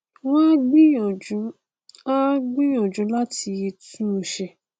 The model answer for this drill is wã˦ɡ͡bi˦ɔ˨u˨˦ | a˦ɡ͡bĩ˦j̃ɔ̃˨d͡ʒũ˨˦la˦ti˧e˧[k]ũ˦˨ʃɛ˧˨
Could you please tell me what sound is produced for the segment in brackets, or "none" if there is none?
t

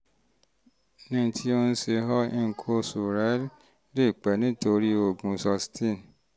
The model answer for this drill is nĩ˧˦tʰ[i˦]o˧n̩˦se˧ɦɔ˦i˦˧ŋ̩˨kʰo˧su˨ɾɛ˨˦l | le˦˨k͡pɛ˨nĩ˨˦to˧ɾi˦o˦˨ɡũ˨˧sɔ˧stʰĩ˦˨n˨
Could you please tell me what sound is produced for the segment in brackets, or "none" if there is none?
i˦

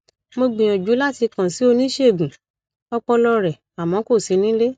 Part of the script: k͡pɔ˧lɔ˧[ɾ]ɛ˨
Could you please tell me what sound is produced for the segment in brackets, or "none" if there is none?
ɾ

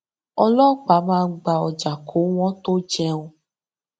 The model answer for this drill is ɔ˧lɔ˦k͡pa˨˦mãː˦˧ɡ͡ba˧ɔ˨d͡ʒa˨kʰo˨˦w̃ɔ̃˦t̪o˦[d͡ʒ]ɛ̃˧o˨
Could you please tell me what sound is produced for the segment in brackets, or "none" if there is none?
d͡ʒ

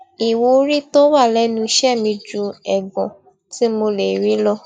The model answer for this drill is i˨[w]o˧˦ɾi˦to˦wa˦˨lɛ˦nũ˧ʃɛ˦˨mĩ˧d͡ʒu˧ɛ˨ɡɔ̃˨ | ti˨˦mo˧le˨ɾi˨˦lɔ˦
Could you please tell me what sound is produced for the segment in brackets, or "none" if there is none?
w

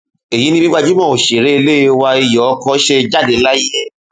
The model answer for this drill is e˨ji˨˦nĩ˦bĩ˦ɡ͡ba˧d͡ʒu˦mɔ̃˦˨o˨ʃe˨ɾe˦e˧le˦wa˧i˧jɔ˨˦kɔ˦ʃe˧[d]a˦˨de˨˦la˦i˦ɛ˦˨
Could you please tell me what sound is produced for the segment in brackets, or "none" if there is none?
d͡ʒ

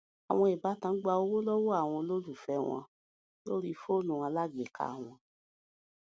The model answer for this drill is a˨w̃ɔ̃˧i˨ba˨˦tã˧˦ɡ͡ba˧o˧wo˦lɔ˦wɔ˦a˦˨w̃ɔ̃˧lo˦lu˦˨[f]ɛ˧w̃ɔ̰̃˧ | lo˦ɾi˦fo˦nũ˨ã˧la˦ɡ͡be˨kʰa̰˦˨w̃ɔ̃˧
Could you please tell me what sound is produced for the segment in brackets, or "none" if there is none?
f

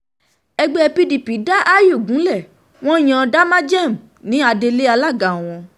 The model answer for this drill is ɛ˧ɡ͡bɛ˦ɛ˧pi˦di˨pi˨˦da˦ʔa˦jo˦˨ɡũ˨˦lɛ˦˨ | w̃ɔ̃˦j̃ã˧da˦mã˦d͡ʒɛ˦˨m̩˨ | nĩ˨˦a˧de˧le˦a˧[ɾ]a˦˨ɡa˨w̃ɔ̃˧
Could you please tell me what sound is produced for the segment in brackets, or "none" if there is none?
l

